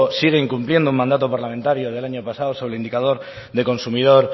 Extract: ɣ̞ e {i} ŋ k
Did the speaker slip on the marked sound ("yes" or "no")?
no